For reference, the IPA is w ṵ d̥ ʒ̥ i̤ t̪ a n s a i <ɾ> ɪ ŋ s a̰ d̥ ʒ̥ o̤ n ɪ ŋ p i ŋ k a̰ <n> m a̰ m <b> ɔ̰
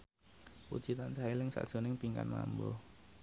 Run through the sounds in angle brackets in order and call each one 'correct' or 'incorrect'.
incorrect, correct, correct

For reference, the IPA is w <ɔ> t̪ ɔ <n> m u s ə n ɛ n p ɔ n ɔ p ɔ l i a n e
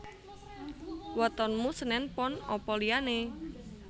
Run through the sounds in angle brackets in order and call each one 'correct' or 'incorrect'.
correct, correct

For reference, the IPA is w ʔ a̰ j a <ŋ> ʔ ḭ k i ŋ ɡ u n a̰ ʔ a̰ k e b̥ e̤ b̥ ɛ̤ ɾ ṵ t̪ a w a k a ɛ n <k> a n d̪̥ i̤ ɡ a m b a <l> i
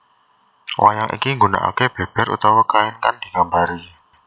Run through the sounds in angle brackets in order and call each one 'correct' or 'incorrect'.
correct, correct, incorrect

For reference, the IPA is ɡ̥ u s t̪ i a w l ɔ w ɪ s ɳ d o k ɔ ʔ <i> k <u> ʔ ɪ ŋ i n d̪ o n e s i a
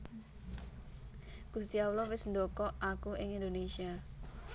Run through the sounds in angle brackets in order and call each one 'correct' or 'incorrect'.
incorrect, correct

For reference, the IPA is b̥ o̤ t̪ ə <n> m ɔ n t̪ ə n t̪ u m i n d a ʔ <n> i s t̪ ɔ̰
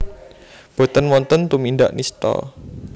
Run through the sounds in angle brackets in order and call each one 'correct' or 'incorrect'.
correct, correct

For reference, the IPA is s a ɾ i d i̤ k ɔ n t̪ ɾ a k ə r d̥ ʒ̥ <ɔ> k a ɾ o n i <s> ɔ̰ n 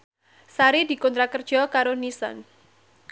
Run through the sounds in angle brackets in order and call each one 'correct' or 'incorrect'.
correct, correct

